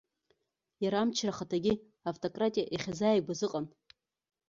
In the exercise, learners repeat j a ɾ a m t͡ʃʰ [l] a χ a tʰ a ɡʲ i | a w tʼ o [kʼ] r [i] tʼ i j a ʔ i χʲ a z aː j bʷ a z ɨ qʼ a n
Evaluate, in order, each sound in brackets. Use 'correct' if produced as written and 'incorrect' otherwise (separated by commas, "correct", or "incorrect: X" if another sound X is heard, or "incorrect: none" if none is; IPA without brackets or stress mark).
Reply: incorrect: r, correct, incorrect: a